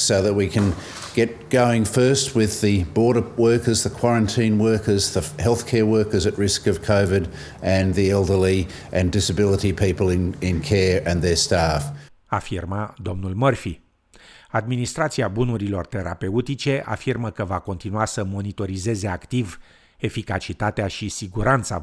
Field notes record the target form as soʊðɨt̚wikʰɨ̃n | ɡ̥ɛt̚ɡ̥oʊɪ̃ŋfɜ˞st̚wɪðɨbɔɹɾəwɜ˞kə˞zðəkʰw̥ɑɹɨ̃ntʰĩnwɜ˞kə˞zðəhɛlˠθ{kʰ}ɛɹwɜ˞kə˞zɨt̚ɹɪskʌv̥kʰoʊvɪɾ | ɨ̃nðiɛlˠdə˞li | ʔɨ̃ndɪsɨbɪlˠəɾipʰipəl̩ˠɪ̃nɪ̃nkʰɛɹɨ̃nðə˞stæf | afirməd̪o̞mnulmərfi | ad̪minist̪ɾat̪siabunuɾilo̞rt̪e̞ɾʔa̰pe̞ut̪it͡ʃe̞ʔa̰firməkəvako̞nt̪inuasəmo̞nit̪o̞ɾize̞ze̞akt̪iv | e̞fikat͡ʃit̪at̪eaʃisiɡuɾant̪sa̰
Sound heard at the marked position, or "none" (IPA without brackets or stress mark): kʰ